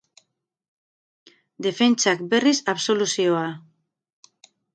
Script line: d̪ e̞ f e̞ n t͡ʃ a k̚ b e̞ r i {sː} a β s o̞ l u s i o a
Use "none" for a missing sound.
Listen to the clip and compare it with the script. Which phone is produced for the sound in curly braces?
s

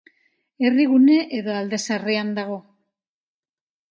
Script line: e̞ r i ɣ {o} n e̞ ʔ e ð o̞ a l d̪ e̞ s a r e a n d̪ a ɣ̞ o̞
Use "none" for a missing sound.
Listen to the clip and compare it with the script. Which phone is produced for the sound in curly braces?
u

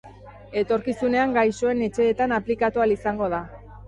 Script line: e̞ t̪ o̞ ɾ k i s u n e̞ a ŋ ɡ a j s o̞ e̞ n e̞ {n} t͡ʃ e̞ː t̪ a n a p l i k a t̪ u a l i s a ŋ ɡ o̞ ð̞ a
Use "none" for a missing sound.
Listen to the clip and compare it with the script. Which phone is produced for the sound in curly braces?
none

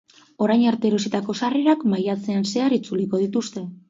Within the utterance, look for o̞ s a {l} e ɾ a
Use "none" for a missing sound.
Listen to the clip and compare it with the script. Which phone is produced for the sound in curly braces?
r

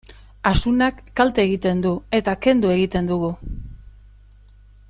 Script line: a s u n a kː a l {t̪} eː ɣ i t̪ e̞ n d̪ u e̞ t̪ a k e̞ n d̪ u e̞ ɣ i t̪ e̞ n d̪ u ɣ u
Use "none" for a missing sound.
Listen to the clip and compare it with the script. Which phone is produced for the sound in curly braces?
t̪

